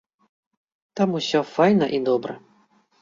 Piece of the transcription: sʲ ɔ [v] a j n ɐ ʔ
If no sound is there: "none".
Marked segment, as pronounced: f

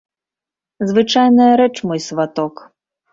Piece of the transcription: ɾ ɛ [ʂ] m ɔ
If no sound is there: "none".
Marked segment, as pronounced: t͡ʂ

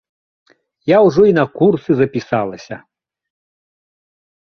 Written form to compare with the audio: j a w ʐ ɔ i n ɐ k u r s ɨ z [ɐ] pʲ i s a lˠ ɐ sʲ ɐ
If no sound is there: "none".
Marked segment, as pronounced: ɐ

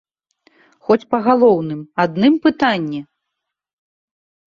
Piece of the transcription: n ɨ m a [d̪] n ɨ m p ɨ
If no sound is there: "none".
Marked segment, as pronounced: d̪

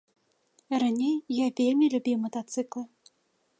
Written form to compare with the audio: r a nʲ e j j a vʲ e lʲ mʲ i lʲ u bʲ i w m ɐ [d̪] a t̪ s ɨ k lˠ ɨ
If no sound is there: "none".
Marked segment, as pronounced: t̪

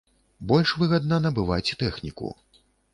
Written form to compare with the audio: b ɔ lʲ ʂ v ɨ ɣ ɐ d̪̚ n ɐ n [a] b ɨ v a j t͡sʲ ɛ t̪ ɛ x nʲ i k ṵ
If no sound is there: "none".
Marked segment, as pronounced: ɐ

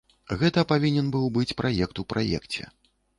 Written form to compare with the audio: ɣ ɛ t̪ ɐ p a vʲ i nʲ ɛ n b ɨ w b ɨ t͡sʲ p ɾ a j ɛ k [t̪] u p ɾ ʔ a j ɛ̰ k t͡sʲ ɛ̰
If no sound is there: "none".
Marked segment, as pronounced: t̪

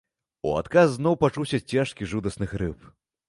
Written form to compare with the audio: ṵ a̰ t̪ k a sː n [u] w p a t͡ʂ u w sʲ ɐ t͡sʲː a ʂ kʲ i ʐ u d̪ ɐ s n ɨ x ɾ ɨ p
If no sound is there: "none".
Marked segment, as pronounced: ɔ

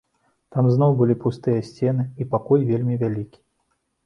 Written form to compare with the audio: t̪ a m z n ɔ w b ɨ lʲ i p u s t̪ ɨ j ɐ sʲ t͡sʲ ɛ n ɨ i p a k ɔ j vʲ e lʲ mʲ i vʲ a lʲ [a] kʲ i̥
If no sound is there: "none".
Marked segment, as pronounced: i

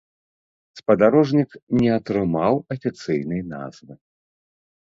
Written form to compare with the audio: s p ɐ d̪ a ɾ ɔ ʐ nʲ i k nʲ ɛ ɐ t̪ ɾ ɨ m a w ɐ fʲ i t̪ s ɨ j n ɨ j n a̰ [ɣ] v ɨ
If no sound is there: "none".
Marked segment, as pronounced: z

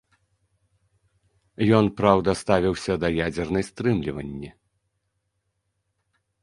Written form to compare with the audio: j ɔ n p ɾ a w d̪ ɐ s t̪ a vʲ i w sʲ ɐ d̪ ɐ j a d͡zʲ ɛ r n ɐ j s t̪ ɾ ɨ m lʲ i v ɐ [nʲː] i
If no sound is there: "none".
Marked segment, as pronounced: nʲː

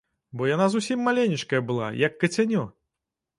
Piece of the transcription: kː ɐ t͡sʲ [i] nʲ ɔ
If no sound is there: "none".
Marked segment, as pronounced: a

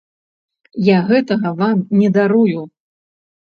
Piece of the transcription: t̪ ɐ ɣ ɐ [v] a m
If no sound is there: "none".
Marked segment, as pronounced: v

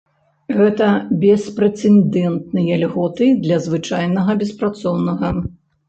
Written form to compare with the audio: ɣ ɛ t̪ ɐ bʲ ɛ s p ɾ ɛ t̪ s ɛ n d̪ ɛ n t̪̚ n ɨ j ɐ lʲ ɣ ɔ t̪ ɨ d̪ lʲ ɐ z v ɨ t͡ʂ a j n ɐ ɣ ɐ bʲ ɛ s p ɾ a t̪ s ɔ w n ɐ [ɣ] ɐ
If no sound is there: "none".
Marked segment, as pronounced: ɣ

